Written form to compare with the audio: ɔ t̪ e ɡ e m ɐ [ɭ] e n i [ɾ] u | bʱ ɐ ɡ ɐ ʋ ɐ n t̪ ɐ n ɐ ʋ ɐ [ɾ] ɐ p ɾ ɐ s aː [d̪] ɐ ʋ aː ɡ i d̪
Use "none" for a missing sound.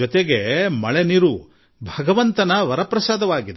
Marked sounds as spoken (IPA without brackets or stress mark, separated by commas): ɭ, ɾ, ɾ, d̪